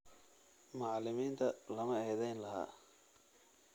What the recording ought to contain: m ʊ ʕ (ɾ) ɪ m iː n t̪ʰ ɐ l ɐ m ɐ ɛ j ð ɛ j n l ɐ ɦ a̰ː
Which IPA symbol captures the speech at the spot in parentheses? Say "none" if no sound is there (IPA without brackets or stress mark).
l